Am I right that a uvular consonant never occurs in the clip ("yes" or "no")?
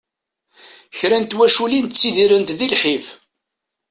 yes